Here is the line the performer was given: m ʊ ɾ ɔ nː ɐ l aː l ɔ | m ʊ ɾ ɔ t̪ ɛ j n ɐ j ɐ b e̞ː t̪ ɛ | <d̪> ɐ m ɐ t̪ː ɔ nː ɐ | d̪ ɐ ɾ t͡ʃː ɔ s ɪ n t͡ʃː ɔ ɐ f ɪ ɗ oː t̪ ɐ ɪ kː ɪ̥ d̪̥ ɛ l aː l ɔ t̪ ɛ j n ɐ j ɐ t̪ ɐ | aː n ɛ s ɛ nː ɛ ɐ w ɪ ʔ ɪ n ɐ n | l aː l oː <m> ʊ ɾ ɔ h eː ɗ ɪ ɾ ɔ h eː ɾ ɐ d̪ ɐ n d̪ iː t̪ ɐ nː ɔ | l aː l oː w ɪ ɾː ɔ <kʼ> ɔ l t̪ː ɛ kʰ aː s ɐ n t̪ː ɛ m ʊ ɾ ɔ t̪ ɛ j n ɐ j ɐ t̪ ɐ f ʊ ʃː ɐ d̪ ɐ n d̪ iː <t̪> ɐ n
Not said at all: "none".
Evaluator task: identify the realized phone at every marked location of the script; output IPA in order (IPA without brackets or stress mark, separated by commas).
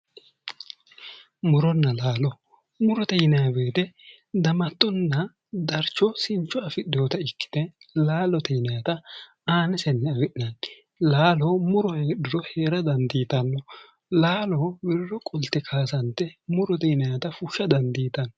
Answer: d̪, m, kʼ, t̪